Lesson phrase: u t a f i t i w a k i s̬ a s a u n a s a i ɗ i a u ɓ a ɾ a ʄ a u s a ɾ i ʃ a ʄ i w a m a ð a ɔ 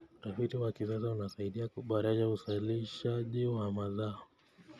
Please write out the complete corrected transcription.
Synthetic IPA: u t a f i t i w a k i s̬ a s a u n a s a i ɗ i a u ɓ a ɾ a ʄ a u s a l i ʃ a ʄ i w a m a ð a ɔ